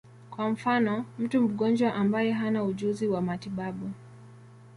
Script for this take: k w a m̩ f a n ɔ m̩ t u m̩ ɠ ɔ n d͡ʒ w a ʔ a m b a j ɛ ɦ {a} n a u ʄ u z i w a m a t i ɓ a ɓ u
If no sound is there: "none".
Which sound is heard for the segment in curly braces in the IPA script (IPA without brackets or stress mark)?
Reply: a